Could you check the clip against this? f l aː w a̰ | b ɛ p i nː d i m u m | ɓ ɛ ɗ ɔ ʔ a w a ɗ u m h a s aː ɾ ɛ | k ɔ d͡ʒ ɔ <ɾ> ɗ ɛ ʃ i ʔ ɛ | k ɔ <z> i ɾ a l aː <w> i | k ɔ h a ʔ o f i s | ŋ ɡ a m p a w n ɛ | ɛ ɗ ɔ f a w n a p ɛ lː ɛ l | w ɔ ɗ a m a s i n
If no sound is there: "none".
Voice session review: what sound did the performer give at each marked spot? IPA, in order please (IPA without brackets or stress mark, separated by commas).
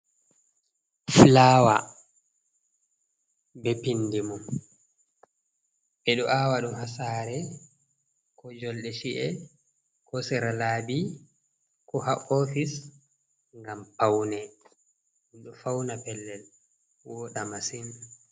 l, s, b